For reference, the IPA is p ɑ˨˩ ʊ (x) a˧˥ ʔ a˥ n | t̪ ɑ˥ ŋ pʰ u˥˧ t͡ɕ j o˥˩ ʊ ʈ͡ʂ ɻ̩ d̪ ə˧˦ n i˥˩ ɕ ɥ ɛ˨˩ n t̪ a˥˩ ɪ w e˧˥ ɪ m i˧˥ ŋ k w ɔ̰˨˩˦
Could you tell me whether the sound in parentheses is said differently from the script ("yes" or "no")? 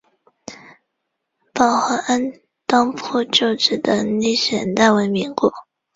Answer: no